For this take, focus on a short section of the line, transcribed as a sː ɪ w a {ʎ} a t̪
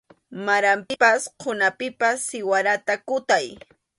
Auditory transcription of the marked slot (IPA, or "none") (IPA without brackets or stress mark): ɾ